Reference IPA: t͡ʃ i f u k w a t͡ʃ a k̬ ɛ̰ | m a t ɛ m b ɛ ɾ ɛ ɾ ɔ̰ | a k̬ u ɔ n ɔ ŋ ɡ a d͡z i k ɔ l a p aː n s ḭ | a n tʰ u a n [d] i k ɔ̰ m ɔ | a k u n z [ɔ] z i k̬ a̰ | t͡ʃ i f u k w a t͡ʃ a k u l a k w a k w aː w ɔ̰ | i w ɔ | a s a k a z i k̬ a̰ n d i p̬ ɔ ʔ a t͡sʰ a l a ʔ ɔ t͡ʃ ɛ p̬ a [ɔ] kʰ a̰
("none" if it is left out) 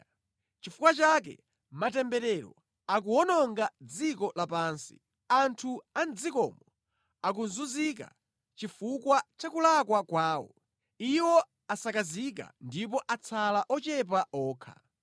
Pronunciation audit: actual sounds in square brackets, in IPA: d͡z, u, ɔː

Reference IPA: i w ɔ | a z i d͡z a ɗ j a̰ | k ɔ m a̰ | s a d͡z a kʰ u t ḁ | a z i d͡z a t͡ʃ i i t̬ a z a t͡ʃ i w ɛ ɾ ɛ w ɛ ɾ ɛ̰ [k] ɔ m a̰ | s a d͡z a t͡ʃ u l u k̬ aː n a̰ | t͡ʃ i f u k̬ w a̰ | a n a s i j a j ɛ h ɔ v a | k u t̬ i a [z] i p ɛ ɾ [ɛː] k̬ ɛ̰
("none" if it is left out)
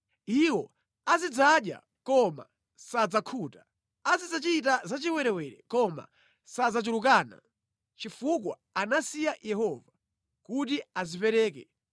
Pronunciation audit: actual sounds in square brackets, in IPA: k, z, ɛː

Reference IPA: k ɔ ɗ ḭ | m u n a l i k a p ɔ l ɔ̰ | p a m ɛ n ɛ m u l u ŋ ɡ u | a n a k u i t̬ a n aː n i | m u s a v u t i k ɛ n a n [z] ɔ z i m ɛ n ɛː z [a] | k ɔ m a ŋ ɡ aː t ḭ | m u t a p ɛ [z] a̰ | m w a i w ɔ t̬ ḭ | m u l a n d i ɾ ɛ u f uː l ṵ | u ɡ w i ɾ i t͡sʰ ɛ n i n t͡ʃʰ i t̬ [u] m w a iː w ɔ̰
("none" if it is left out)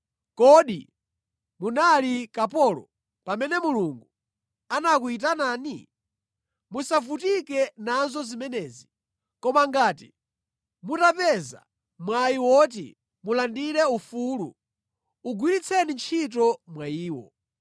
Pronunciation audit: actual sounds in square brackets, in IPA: z, i, z, ɔ

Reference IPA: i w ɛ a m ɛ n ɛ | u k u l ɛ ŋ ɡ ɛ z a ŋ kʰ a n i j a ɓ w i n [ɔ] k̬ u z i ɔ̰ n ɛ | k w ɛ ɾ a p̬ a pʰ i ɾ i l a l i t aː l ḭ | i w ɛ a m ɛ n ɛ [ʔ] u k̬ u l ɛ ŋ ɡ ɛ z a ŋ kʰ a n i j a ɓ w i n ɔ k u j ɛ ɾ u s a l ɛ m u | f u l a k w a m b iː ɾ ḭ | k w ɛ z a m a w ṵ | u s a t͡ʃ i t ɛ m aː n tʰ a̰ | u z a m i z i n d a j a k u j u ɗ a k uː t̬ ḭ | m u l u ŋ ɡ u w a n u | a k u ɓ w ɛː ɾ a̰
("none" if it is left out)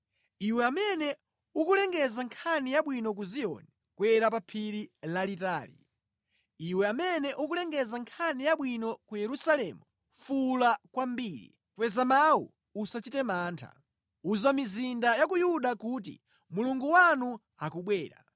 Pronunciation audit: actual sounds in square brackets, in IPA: ɔ, ʔ

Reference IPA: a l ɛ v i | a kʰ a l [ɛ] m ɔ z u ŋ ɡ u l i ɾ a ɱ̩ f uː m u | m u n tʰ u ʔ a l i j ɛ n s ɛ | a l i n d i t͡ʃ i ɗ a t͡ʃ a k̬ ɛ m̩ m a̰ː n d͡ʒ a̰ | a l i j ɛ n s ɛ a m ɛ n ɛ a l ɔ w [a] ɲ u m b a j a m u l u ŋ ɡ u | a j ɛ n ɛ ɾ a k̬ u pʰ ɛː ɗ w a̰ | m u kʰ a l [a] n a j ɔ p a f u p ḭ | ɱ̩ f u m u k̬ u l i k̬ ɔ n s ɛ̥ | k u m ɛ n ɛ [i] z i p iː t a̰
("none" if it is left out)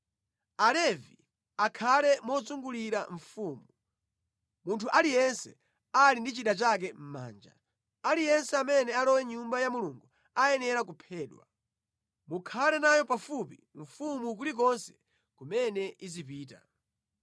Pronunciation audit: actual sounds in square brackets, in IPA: ɛ, ɛ, ɛ, i

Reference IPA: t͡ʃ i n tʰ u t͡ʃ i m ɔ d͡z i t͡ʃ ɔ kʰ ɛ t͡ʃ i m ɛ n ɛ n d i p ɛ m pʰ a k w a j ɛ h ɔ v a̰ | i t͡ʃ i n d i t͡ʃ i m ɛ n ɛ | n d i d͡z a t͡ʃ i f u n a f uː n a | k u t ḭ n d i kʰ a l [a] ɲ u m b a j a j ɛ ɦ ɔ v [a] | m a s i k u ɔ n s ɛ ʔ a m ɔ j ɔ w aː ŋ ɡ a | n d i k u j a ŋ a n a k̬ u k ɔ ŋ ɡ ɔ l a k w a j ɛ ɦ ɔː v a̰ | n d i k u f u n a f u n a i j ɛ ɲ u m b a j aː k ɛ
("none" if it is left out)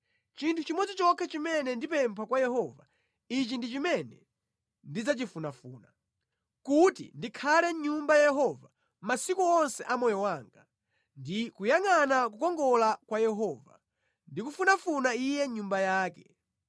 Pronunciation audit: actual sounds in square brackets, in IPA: ɛ, a

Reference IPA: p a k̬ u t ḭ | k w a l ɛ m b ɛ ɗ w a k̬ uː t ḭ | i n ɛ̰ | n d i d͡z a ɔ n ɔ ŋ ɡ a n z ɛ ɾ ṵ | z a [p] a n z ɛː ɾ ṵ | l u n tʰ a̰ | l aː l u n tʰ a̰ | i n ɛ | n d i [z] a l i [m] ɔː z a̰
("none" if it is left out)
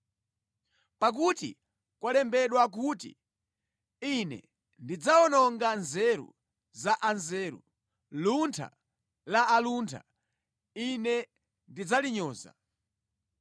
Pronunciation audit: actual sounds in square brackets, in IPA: ʔ, d͡z, ɲ

